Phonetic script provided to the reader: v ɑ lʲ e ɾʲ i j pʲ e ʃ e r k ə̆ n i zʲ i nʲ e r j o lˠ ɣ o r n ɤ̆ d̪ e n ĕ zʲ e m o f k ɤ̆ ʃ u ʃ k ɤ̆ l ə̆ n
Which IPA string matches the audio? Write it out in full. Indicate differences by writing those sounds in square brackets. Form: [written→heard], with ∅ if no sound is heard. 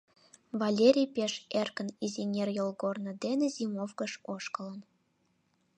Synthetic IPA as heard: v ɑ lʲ e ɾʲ i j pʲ e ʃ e r k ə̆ n i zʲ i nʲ e r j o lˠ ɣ o r n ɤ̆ d̪ e n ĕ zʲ [e→i] m o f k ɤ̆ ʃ [u→o] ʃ k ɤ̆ l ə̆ n